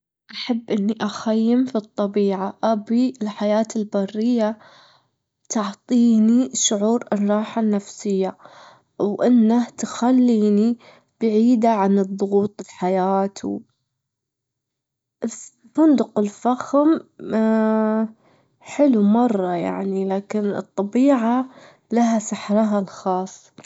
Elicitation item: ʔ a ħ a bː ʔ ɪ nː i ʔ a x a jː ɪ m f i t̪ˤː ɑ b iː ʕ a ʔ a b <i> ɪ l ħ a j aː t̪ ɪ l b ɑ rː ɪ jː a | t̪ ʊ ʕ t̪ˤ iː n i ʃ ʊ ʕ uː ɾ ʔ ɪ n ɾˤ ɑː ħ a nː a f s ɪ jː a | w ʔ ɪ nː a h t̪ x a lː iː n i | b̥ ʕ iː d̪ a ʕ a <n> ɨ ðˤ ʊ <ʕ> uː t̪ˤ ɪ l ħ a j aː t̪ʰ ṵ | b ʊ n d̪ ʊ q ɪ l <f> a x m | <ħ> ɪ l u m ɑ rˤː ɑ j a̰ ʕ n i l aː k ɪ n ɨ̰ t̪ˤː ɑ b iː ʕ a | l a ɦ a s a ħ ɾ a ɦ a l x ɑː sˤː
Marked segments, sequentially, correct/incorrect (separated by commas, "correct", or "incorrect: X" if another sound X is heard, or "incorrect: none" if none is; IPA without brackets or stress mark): correct, correct, incorrect: ɣ, correct, correct